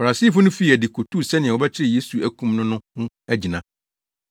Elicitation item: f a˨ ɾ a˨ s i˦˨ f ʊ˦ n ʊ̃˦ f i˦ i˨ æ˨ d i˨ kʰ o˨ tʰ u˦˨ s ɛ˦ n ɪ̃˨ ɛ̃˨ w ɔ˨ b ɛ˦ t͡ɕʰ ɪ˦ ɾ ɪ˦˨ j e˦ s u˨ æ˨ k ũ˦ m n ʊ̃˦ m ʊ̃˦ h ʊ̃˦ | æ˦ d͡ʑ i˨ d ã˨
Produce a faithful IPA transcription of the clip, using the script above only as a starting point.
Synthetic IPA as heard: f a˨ ɾ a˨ s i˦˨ f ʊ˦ n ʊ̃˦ f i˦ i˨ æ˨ d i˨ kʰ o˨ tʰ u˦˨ s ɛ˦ n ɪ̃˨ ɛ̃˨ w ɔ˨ b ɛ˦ t͡ɕʰ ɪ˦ ɾ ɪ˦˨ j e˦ s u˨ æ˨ k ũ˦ m n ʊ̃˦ n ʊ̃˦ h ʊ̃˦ | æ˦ d͡ʑ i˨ n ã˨